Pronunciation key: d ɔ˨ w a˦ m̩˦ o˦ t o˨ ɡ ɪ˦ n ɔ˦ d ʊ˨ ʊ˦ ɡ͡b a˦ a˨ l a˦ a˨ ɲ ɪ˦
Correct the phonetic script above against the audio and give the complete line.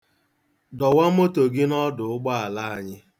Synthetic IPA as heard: d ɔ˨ w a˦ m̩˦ o˦ t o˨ ɡ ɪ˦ n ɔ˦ d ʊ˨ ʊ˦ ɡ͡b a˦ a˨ l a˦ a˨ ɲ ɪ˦